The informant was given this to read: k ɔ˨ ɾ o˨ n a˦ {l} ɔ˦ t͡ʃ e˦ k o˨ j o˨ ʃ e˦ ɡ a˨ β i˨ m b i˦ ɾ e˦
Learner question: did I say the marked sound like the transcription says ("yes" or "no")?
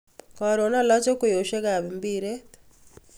yes